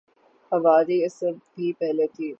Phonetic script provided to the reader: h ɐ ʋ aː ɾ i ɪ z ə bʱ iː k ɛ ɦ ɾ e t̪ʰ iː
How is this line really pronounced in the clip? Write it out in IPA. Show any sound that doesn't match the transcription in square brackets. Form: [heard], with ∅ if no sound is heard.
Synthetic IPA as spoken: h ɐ ʋ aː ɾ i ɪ [s] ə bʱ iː [p] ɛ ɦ [l] e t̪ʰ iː